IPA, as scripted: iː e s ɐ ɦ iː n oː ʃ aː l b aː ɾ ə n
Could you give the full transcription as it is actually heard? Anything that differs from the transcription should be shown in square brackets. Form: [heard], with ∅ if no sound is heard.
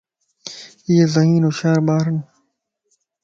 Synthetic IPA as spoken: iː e [z] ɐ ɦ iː n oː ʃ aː [ɾ] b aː ɾ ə n